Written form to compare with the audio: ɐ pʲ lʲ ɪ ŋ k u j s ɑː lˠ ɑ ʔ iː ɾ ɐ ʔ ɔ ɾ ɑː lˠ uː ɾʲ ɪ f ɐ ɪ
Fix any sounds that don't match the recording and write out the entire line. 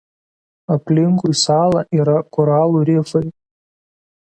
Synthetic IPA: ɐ pʲ lʲ ɪ ŋ k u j s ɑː lˠ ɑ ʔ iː ɾ ɐ k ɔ ɾ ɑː lˠ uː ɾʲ ɪ f ɐ ɪ